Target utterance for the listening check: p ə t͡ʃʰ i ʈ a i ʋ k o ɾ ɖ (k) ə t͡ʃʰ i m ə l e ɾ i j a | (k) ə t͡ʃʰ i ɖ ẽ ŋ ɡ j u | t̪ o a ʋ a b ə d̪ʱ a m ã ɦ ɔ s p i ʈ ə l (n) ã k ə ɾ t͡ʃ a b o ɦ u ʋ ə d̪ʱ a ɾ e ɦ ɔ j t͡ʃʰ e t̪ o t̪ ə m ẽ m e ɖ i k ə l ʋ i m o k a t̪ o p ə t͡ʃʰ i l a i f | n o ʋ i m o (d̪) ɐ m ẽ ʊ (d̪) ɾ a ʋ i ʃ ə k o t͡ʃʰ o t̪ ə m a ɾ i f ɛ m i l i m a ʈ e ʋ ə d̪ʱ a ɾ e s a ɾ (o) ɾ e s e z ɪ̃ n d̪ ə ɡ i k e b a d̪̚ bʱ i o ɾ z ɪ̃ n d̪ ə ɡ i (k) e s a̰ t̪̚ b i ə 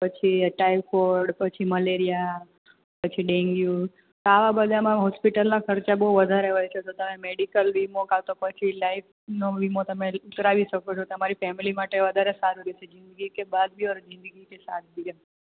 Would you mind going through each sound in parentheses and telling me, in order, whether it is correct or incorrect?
incorrect: p, incorrect: p, correct, incorrect: t̪, incorrect: t̪, incorrect: u, correct

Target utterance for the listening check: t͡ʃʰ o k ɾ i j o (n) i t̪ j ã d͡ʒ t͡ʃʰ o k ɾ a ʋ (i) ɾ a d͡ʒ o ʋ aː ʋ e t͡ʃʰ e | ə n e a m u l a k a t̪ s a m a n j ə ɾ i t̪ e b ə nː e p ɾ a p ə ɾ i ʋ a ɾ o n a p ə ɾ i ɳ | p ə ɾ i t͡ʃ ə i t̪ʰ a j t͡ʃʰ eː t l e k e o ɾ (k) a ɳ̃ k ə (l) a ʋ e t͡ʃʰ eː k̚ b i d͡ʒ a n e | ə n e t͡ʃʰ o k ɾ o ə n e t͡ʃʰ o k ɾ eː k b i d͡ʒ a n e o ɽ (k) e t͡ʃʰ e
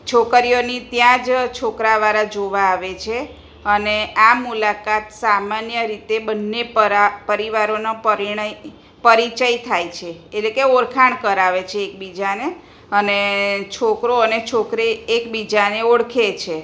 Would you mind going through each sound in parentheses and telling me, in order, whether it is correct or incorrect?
correct, incorrect: a, incorrect: kʰ, incorrect: ɾ, incorrect: kʰ

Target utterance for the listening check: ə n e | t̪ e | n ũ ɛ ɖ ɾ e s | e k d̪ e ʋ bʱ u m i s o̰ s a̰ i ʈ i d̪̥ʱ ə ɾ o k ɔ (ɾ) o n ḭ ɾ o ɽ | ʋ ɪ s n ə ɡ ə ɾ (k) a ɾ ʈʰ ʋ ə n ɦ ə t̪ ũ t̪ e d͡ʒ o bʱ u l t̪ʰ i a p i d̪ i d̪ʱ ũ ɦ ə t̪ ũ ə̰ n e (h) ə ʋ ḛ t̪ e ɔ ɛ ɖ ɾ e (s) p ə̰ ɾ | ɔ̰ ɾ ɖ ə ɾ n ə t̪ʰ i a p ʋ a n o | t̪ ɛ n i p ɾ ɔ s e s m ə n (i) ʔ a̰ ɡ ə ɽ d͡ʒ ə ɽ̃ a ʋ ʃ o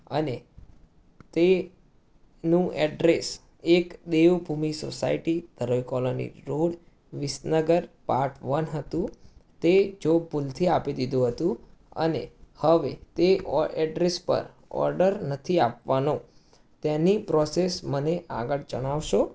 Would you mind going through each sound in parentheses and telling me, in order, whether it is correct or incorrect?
incorrect: l, incorrect: p, correct, correct, incorrect: e

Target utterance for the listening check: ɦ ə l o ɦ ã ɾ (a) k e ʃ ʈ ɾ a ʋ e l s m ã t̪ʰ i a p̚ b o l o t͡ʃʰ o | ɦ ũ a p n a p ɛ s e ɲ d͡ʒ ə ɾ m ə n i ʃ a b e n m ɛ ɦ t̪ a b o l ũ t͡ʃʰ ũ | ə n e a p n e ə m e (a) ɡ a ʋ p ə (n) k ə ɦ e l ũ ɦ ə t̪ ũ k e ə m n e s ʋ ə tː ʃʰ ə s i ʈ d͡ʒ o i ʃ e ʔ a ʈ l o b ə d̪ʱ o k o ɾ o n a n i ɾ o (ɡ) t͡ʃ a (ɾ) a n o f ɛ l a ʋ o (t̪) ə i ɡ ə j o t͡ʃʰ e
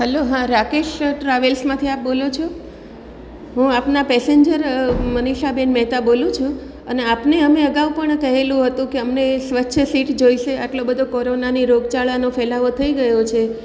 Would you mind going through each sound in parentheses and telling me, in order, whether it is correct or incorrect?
correct, incorrect: ə, incorrect: ɳ, correct, incorrect: ɭ, incorrect: t̪ʰ

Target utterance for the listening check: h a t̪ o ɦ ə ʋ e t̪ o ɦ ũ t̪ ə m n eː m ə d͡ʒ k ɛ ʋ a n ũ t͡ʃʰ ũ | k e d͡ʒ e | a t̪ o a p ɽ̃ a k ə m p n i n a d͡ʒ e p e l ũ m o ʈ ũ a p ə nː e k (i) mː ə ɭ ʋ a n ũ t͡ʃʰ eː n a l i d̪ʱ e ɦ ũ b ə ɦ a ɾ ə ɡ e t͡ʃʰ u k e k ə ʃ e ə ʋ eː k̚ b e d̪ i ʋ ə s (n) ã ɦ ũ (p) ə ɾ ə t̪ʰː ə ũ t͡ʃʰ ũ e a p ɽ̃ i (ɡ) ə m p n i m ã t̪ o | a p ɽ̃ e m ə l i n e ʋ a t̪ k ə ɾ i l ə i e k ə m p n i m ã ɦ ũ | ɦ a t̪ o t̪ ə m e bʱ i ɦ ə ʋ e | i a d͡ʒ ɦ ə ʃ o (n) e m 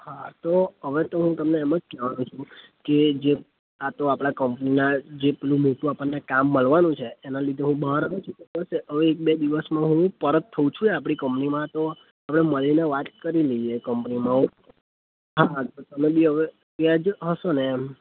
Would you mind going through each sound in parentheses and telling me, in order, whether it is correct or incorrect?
incorrect: a, incorrect: m, correct, incorrect: k, correct

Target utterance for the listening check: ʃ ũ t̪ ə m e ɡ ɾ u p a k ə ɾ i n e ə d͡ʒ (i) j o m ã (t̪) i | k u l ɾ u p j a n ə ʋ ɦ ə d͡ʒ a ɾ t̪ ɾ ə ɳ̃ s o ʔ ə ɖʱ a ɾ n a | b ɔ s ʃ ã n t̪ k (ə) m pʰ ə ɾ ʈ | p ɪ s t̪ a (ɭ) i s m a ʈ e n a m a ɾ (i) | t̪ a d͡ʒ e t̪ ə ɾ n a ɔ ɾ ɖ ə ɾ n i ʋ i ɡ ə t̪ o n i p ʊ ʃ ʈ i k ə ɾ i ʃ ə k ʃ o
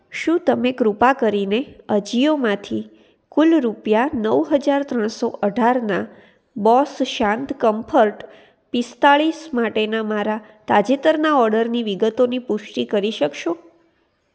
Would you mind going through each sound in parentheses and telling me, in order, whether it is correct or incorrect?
correct, incorrect: t̪ʰ, correct, correct, incorrect: a

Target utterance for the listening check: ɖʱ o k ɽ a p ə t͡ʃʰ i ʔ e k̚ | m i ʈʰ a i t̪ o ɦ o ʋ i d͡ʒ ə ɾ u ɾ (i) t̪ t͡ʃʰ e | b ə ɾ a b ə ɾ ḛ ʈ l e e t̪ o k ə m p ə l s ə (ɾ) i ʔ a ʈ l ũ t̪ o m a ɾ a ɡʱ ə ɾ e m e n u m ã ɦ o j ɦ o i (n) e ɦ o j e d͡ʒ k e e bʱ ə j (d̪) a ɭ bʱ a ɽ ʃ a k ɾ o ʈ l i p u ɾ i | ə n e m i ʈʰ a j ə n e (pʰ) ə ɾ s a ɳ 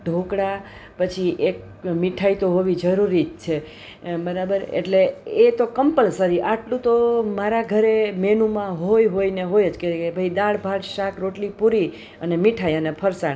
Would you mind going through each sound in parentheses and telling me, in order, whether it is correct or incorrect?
correct, correct, correct, correct, correct

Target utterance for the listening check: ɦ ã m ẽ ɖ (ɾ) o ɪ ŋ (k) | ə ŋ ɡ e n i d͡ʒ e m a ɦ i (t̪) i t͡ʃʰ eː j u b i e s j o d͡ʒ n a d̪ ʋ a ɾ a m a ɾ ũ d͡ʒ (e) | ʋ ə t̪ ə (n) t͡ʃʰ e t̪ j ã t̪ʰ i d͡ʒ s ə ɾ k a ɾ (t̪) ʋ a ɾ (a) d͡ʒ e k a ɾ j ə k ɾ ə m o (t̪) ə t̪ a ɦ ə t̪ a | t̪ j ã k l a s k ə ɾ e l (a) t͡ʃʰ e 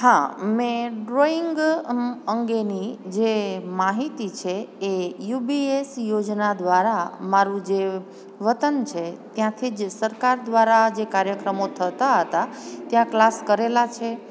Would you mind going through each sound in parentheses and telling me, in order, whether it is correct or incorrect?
correct, incorrect: ɡ, correct, correct, correct, incorrect: d̪, correct, incorrect: t̪ʰ, correct

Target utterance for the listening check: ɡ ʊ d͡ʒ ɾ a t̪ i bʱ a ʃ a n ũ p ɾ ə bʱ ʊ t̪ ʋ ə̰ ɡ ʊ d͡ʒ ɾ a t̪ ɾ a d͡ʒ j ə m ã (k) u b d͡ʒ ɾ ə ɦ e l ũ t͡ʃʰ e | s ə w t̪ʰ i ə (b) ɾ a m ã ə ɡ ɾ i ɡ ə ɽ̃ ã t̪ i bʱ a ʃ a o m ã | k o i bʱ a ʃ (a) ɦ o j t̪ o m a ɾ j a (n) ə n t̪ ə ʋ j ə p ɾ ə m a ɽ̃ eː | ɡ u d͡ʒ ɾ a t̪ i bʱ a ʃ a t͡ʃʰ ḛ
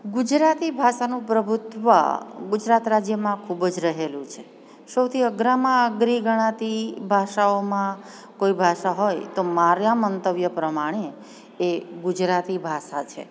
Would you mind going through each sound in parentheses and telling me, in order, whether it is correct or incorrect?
incorrect: kʰ, incorrect: ɡ, correct, incorrect: m

